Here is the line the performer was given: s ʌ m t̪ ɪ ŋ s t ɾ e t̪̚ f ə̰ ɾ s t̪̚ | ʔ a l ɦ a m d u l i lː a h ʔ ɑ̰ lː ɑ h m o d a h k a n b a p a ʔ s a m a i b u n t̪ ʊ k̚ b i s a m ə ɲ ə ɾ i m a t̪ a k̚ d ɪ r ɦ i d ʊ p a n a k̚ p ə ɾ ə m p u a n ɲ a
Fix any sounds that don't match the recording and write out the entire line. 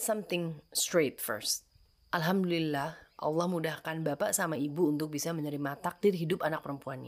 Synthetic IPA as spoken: s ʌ m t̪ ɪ ŋ s t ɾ e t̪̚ f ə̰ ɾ s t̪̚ | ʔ a l ɦ a m d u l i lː a h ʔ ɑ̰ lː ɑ h m u d a h k a n b a p a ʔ s a m a i b uː n t̪ ʊ k̚ b i s a m ə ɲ ə ɾ i m a t̪ a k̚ d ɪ r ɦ i d ʊ p a n a k̚ p ə ɾ ə m p u a n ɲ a